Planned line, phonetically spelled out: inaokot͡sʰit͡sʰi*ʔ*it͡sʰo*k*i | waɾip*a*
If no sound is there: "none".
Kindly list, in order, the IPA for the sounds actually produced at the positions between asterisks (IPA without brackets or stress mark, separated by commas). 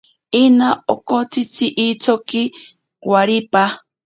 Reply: ʔ, k, a